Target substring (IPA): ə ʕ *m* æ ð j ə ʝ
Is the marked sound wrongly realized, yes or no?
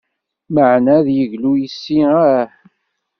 yes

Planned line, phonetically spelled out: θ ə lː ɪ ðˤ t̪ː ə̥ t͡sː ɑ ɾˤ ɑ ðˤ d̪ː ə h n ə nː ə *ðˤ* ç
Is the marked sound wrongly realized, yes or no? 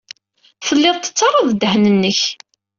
yes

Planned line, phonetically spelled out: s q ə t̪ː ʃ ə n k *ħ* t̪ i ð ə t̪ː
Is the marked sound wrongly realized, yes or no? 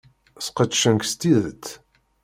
yes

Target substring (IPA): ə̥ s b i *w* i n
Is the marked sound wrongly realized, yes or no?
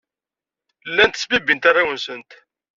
yes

